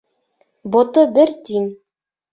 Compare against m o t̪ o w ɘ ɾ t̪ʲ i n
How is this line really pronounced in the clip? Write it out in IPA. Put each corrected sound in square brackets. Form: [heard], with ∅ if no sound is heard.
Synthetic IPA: [b] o t̪ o [b] ɘ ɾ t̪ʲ i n